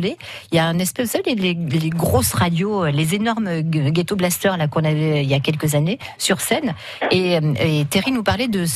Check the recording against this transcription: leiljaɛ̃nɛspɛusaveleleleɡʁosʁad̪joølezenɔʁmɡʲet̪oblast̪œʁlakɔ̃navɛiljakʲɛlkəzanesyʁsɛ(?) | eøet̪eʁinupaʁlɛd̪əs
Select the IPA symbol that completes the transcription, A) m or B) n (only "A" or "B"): B